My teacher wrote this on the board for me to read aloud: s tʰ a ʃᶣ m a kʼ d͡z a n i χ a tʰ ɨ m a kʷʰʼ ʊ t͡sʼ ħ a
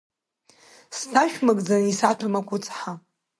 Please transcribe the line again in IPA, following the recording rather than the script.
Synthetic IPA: s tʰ a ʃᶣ m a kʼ d͡z a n i s a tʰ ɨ m a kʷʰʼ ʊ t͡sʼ ħ a